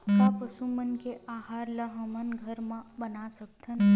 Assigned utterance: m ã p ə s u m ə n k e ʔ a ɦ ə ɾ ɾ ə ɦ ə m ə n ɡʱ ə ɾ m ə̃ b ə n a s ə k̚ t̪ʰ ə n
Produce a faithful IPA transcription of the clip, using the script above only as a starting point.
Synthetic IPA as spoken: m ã p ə s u m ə n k e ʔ a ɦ a ɾ l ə ɦ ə m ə n ɡʱ ə ɾ m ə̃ b ə n a s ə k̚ t̪ʰ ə n